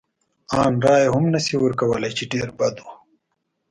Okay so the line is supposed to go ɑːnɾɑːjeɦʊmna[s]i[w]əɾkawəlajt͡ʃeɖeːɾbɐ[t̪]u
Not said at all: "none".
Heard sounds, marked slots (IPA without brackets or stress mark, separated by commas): s, w, d̪